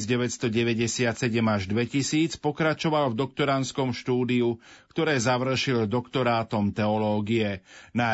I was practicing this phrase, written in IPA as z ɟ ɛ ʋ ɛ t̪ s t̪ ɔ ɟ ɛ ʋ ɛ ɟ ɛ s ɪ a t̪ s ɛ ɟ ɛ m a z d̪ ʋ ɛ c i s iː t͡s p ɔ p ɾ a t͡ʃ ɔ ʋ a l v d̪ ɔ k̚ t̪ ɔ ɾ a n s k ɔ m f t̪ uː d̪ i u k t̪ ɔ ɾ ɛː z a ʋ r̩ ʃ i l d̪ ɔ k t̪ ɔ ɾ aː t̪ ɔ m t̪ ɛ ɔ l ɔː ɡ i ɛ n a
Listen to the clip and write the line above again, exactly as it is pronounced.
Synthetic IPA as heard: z ɟ ɛ ʋ ɛ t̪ s t̪ ɔ ɟ ɛ ʋ ɛ ɟ ɛ s ɪ a t̪ s ɛ ɟ ɛ m a ʒ d̪ ʋ ɛ c i s iː t͡s p ɔ k ɾ a t͡ʃ ɔ ʋ a l v d̪ ɔ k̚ t̪ ɔ ɾ a n s k ɔ m ʃ t̪ uː d̪ i u k t̪ ɔ ɾ ɛː z a ʋ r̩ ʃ i l d̪ ɔ k t̪ ɔ ɾ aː t̪ ɔ m t̪ ɛ ɔ l ɔː ɡ i ɛ n a